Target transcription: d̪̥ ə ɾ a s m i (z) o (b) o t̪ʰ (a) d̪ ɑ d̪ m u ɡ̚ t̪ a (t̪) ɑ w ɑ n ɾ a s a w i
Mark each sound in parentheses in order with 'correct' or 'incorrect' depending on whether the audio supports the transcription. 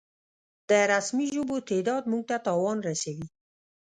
incorrect: ʒ, correct, incorrect: e, correct

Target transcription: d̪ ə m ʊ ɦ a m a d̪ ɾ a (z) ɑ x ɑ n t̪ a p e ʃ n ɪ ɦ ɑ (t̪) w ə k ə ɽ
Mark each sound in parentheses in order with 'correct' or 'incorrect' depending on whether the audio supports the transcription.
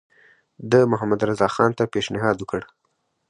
correct, incorrect: d̪

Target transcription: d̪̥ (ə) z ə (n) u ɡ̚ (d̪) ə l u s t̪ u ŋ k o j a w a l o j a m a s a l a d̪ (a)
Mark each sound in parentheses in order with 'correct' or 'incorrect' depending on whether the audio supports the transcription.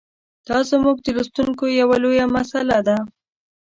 incorrect: ɑ, incorrect: m, correct, correct

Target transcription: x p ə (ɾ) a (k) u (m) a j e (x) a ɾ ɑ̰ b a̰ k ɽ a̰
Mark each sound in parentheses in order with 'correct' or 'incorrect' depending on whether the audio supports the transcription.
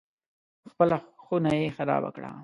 incorrect: l, incorrect: x, incorrect: n, correct

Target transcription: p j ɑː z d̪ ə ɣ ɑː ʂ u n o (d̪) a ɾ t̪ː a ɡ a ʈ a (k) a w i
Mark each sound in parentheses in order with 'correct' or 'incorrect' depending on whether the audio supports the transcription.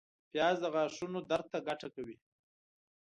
correct, correct

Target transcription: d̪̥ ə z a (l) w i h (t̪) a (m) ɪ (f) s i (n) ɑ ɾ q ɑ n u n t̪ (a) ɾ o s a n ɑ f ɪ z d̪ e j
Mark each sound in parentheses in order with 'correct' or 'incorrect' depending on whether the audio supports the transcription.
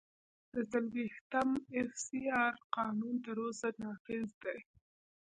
correct, correct, correct, correct, incorrect: none, incorrect: ə

